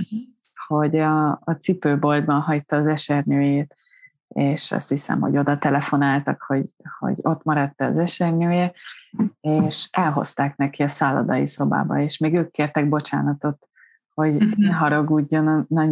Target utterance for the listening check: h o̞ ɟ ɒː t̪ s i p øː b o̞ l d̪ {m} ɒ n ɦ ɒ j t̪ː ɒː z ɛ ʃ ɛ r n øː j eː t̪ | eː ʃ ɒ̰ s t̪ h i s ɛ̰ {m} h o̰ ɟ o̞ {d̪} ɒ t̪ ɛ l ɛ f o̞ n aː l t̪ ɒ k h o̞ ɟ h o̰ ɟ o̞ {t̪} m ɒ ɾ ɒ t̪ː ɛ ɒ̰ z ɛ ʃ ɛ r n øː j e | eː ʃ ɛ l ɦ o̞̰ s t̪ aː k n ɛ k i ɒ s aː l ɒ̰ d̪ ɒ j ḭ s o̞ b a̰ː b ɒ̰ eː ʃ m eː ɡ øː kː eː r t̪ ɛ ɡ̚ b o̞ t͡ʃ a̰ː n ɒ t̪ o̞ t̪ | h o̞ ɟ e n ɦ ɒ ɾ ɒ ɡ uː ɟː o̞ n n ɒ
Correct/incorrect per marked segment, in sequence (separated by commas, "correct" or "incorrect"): incorrect, correct, correct, correct